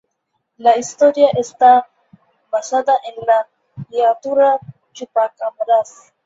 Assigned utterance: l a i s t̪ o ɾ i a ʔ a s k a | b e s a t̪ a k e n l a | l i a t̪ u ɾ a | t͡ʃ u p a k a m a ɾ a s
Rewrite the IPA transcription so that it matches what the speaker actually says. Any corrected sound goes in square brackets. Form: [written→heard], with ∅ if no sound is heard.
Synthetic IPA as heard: l a i s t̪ o ɾ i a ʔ [a→e] s [k→t] a | b [e→a] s a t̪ a [k→ʔ] e n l a | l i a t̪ u ɾ a | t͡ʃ u p a k a m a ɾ a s

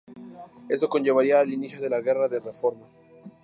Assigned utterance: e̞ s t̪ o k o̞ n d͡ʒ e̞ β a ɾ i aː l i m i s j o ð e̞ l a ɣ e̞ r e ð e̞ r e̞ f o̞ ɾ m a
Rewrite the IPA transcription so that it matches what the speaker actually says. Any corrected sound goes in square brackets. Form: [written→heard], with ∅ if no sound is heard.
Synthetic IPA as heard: e̞ s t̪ o k o̞ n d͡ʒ e̞ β a ɾ i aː l i [m→n] i s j o ð e̞ l a ɣ e̞ r [e→a] ð e̞ r e̞ f o̞ ɾ m a

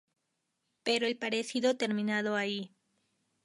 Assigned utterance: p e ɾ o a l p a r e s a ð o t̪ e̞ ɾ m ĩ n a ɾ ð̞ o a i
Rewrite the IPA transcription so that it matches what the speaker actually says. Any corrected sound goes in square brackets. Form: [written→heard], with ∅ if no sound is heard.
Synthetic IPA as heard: p e ɾ o [a→e] l p a [r→ɾ] e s [a→i] ð o t̪ e̞ ɾ m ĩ n a [ɾ→∅] ð̞ o a i

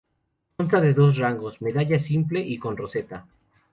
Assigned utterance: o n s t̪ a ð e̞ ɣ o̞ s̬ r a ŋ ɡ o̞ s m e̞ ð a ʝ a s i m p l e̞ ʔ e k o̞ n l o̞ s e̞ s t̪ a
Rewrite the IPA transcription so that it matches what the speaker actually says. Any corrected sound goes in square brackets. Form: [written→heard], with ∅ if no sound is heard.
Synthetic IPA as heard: o n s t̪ a ð e̞ [ɣ→ð] o̞ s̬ r a ŋ ɡ o̞ s m e̞ ð a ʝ a s i m p l e̞ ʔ [e→i] k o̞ n [l→r] o̞ s e̞ [s→∅] t̪ a

